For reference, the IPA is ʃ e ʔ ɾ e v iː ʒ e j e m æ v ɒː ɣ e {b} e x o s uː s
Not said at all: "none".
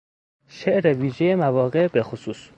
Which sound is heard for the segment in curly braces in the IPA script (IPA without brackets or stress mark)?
b